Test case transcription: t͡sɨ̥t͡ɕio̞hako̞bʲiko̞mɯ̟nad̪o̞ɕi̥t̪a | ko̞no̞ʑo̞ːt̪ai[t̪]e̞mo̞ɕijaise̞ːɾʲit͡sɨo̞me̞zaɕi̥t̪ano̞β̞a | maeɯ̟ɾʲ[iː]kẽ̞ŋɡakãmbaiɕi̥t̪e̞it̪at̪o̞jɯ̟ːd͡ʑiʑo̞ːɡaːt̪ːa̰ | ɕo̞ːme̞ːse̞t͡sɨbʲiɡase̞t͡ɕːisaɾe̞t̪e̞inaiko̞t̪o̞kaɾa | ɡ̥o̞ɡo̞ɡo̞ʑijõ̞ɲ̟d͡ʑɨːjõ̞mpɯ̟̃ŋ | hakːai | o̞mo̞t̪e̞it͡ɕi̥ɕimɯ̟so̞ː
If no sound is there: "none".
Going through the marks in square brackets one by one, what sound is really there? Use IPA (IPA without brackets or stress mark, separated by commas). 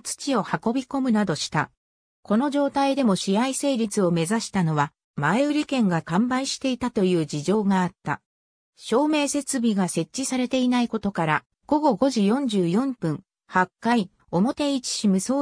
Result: d̪, i